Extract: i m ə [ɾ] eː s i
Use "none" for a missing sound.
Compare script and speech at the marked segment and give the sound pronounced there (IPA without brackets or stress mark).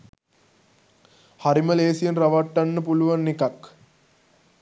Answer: l